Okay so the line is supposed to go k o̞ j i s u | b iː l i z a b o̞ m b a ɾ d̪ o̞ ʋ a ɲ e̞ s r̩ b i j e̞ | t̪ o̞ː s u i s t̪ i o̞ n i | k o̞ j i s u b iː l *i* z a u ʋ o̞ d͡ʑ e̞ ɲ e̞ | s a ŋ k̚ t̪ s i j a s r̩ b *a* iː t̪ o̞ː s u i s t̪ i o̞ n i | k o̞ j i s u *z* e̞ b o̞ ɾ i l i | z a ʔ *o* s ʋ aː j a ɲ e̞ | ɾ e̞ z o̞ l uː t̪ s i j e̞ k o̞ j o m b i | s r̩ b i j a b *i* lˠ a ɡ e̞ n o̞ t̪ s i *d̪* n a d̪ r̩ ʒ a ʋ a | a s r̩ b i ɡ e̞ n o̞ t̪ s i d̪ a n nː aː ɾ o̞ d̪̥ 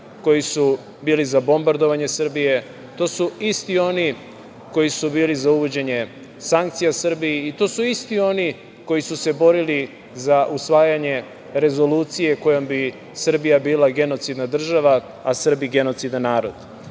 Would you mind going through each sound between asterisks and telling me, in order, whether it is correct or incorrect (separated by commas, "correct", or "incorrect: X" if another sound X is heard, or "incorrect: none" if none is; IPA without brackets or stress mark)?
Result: correct, incorrect: i, incorrect: s, incorrect: u, incorrect: iː, correct